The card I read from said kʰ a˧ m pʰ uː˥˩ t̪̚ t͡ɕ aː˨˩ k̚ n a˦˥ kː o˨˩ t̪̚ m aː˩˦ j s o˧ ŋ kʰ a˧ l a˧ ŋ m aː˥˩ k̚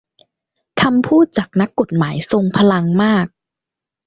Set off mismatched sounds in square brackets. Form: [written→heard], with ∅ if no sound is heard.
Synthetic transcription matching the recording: kʰ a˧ m pʰ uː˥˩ t̪̚ t͡ɕ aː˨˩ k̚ n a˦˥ kː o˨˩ t̪̚ m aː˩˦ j s o˧ ŋ [kʰ→pʰ] a˧ l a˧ ŋ m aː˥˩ k̚